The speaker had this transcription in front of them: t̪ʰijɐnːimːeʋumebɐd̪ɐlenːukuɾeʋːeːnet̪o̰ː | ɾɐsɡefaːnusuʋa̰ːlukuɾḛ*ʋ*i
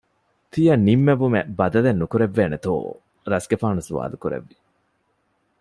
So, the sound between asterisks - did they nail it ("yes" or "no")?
no